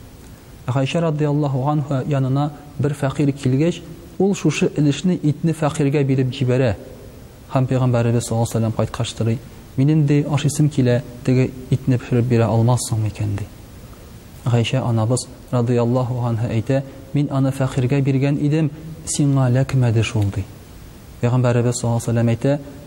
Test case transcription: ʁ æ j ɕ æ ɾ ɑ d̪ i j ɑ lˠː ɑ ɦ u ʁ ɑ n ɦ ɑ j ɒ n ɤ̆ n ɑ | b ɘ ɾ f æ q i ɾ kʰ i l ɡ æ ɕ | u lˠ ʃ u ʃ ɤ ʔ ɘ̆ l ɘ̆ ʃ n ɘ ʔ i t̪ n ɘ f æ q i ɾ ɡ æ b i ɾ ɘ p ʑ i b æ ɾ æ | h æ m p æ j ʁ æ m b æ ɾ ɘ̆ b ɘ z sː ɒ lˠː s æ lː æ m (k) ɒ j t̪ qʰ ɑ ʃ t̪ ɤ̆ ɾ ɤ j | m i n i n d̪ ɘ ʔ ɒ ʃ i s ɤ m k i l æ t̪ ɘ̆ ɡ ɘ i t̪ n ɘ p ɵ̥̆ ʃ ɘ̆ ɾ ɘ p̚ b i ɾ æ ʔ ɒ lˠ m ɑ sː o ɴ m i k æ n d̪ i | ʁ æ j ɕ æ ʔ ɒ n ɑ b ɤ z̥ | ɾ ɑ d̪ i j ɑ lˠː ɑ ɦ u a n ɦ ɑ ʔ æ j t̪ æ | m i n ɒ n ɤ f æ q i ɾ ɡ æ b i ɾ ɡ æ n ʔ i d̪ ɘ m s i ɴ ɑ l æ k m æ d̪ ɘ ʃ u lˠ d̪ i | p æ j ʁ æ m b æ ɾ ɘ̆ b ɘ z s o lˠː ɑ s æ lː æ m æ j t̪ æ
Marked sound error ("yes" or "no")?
yes